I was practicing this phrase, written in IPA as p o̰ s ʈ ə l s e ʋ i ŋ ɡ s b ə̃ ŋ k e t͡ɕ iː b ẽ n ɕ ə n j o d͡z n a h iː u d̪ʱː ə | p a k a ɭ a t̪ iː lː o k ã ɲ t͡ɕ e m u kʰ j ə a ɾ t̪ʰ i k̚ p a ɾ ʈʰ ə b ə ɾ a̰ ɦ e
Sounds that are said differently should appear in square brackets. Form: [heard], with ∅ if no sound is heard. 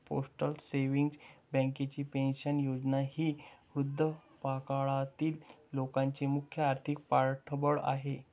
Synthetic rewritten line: p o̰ s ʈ ə l s e ʋ i ŋ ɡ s b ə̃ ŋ k e t͡ɕ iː [p] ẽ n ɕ ə n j o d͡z n a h iː u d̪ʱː ə | p a k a ɭ a t̪ iː lː o k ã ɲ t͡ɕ e m u kʰ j ə a ɾ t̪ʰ i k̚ p a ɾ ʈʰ ə b ə [ɭ] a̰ ɦ e